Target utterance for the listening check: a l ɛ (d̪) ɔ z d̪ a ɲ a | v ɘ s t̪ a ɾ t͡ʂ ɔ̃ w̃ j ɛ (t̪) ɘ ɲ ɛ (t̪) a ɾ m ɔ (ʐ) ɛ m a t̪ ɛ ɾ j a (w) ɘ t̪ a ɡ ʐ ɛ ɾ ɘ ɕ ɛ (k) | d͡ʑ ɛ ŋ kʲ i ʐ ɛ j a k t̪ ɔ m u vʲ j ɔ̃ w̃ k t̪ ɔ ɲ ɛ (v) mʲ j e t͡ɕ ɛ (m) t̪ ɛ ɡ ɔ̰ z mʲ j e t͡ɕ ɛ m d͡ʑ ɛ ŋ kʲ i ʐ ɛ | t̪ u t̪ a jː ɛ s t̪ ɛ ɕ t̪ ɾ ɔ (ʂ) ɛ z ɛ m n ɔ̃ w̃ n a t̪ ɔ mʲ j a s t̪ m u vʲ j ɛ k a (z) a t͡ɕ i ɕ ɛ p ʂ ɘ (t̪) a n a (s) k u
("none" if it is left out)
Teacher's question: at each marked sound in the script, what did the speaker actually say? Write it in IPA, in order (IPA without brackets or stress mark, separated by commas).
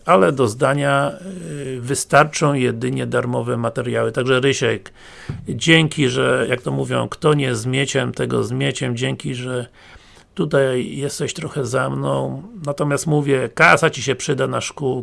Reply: d̪, d̪, d̪, v, w, k, z, m, x, s, d̪, ʂ